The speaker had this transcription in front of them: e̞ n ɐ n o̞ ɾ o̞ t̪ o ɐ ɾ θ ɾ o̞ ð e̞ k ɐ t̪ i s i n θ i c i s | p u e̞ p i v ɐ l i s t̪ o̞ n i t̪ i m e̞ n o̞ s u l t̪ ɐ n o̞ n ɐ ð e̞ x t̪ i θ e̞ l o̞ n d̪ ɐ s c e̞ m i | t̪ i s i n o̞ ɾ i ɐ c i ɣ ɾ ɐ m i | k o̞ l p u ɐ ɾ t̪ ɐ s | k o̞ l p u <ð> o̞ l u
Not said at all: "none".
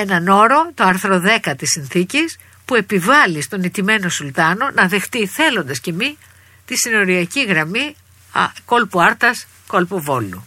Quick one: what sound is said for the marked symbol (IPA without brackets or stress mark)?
v